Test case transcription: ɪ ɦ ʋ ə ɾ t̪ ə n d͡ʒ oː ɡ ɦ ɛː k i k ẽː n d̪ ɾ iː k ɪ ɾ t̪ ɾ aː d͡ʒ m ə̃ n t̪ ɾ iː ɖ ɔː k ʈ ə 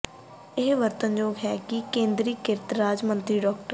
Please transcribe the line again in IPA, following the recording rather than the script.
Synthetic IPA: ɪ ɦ ʋ ə ɾ t̪ ə n d͡ʒ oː ɡ ɦ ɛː k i k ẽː n d̪ ɾ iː k ɪ ɾ t̪ ɾ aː d͡ʒ m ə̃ n t̪ ɾ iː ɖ ɔː k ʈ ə